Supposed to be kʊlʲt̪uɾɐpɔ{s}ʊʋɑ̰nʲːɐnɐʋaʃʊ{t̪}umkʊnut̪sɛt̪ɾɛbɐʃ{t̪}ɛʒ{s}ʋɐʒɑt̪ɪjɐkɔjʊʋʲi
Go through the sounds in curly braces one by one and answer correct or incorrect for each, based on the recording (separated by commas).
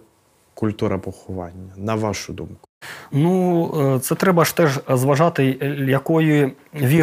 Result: incorrect, incorrect, correct, incorrect